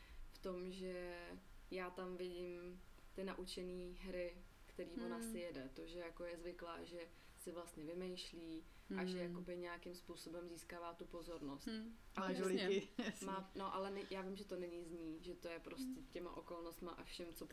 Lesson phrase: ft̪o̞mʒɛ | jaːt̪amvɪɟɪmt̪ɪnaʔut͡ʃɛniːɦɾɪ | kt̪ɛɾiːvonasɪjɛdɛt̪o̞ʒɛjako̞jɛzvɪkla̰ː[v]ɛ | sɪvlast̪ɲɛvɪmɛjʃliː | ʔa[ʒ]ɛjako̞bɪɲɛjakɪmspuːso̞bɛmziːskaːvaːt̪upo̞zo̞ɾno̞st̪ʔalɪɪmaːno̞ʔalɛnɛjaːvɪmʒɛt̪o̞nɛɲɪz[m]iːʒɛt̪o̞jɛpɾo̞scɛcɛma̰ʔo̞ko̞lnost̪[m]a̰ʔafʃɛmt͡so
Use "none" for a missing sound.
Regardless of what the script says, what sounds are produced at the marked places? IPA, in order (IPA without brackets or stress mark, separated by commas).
ʒ, ʒ, ɲ, m